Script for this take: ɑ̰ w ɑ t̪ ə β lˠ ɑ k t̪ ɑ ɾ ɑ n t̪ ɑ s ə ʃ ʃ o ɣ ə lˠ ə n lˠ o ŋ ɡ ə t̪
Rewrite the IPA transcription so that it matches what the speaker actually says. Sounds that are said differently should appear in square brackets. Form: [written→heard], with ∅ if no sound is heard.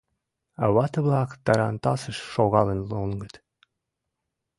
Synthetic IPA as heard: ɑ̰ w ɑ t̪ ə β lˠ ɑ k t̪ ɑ ɾ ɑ n t̪ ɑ s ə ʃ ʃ o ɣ [ə→ɑ] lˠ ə n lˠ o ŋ ɡ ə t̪